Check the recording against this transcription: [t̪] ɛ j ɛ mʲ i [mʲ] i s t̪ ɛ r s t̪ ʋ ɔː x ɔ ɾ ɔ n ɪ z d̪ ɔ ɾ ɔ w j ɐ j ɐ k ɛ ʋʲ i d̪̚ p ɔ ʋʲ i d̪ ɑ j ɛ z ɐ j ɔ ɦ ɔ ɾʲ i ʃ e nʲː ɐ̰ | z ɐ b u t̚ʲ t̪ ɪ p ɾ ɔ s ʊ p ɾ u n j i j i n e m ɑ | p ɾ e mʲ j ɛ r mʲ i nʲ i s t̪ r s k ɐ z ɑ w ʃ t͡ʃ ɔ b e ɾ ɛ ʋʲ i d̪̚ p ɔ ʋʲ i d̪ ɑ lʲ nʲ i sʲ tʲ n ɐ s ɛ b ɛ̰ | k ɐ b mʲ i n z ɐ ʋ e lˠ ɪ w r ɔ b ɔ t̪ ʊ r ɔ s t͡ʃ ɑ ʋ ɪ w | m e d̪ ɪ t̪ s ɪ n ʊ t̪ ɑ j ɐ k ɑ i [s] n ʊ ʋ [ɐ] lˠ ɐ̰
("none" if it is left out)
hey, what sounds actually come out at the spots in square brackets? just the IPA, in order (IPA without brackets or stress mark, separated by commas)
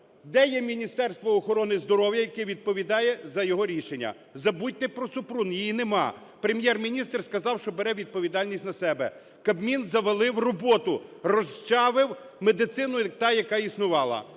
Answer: d̪, nʲ, s, ɑ